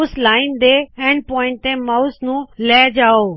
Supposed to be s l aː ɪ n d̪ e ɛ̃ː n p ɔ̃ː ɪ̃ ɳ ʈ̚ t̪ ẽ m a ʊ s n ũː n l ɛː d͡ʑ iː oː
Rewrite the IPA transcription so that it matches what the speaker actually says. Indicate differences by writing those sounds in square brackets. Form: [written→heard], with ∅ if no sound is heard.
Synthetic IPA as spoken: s l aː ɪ n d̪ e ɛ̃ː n p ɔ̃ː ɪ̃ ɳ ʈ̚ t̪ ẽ m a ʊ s n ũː [n→∅] l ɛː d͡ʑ [iː→aː] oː